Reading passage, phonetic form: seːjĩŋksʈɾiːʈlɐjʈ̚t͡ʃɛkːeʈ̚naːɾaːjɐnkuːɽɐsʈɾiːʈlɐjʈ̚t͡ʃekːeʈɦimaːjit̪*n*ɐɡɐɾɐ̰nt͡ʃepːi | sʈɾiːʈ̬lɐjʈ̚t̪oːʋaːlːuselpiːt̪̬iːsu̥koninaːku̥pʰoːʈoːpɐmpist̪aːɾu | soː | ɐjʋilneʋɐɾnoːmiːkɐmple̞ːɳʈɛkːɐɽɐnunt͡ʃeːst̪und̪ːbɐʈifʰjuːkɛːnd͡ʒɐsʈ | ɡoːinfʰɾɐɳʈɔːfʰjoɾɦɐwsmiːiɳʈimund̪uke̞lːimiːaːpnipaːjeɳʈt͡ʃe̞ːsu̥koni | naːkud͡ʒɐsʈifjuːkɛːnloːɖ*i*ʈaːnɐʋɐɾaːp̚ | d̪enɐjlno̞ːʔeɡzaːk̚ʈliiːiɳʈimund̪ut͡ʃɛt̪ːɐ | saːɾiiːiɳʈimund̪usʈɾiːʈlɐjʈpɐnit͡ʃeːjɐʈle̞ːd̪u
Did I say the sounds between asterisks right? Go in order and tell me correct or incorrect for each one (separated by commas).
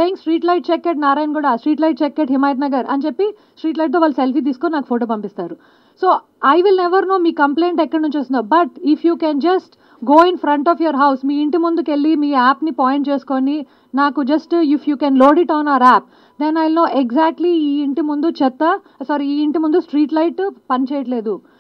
correct, correct